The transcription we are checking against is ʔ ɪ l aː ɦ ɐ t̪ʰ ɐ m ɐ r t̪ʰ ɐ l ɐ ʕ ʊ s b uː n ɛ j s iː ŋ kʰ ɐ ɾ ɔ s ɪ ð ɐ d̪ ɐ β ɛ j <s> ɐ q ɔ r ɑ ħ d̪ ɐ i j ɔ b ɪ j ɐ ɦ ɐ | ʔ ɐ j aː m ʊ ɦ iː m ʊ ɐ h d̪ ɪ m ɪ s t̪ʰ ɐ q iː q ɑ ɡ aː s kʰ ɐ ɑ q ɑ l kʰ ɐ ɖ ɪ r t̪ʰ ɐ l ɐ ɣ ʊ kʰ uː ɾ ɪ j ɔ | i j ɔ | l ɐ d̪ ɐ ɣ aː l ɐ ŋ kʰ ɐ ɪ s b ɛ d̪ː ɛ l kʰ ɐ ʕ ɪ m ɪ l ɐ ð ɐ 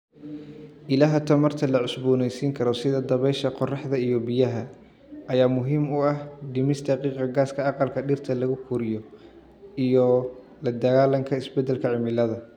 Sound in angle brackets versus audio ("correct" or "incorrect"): incorrect